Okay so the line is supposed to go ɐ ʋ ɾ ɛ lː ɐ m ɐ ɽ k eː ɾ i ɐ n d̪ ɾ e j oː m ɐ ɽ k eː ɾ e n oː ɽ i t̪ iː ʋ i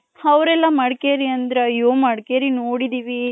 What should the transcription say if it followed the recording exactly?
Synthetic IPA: ɐ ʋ ɾ ɛ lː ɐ m ɐ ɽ k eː ɾ i ɐ n d̪ ɾ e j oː m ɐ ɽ k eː ɾ i n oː ɽ i d̪ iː ʋ i